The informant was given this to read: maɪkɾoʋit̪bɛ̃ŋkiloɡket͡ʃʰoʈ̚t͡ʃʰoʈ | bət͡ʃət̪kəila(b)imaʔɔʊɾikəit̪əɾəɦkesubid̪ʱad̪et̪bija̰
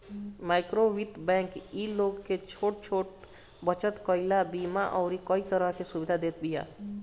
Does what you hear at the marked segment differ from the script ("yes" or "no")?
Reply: no